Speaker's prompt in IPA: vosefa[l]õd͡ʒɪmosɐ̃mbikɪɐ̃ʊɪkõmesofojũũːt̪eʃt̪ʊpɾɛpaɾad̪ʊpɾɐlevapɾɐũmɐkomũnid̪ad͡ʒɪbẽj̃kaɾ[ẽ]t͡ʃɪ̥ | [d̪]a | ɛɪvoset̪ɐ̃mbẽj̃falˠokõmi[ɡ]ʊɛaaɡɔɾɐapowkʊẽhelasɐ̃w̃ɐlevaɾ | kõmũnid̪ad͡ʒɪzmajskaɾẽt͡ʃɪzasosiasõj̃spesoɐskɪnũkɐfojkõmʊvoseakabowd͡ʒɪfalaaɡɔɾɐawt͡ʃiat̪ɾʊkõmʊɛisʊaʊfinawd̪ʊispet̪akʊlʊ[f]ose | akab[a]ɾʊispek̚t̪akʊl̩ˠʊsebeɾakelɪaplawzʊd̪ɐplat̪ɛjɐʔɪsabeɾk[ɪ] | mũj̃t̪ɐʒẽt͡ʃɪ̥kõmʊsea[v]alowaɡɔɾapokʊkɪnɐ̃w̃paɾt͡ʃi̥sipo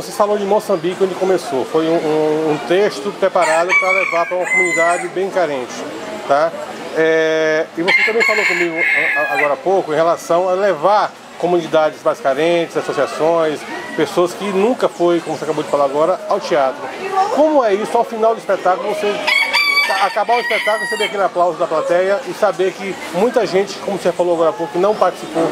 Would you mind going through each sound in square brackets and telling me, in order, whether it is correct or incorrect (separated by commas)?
correct, correct, incorrect, correct, incorrect, correct, correct, incorrect